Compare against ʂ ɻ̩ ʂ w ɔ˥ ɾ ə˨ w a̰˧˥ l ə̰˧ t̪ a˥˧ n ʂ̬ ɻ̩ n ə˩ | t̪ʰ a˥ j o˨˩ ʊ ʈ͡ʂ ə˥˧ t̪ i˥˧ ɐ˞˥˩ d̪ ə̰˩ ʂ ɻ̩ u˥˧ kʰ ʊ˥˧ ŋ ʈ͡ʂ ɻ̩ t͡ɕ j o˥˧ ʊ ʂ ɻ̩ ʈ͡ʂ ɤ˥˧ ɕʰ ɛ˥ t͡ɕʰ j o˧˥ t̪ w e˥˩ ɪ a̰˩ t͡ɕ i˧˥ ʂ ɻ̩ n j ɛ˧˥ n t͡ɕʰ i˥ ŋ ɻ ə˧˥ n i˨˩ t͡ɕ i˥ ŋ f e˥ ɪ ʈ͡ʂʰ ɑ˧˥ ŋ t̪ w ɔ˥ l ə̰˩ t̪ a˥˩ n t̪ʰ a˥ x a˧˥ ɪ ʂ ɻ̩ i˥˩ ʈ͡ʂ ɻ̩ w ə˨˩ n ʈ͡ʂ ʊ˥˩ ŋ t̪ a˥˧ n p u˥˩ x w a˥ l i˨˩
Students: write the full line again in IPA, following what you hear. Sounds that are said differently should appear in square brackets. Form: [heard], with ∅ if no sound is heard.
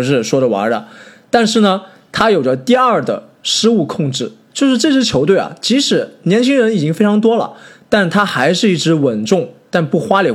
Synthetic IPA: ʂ ɻ̩ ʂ w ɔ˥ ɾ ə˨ w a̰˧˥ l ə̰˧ t̪ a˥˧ n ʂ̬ ɻ̩ n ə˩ | t̪ʰ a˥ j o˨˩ ʊ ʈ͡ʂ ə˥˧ t̪ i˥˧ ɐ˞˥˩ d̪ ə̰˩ ʂ ɻ̩ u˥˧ kʰ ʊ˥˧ ŋ ʈ͡ʂ ɻ̩ t͡ɕ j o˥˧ ʊ ʂ ɻ̩ ʈ͡ʂ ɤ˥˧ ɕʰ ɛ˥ t͡ɕʰ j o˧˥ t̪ w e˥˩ ɪ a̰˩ t͡ɕ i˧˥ ʂ ɻ̩ n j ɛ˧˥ n t͡ɕʰ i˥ ŋ ɻ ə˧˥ n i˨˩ t͡ɕ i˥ ŋ f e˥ ɪ ʈ͡ʂʰ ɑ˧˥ ŋ t̪ w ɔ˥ l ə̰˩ t̪ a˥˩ n t̪ʰ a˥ x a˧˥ ɪ ʂ ɻ̩ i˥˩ ʈ͡ʂ ɻ̩ w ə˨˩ n ʈ͡ʂ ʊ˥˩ ŋ t̪ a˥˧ n p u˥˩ x w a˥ l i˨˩